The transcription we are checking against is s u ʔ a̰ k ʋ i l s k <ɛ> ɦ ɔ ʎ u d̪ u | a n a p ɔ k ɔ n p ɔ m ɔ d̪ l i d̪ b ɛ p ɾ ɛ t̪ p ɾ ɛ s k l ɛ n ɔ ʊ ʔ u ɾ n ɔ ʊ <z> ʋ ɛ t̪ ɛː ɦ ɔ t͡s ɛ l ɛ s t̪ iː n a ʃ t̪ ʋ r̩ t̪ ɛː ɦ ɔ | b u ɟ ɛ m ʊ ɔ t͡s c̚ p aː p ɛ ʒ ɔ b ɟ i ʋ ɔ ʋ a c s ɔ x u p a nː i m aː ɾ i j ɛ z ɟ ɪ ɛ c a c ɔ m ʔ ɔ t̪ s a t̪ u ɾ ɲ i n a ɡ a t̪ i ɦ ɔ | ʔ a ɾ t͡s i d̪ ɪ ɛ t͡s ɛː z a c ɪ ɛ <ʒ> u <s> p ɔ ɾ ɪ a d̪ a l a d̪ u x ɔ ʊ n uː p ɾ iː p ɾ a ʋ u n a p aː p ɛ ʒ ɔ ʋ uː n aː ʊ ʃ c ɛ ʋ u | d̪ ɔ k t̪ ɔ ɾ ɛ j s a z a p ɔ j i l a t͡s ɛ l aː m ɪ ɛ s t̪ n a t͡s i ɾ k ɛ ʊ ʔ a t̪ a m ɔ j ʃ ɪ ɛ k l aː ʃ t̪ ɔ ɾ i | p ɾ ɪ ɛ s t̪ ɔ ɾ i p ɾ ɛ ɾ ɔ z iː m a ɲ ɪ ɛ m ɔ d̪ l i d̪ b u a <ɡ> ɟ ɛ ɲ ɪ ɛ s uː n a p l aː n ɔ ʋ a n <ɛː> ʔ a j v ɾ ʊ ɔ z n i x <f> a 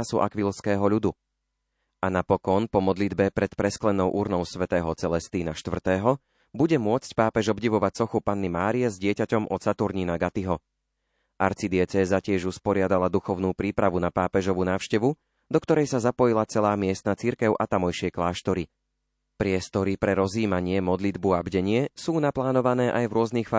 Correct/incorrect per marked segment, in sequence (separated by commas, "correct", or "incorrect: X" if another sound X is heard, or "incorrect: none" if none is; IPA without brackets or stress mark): incorrect: ɛː, incorrect: s, correct, correct, incorrect: b, correct, correct